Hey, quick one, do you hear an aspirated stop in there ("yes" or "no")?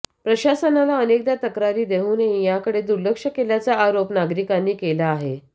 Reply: no